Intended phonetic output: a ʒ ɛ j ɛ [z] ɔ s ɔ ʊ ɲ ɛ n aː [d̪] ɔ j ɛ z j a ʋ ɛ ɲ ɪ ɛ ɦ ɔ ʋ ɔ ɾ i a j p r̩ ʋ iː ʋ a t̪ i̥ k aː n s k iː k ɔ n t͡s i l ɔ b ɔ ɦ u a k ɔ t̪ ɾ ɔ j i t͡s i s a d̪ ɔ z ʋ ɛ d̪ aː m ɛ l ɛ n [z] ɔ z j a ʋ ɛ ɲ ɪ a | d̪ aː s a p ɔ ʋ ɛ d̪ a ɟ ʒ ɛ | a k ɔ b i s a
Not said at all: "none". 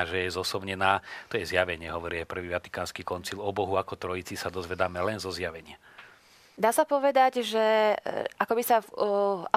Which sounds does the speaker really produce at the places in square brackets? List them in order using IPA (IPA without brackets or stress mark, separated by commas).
z, t̪, z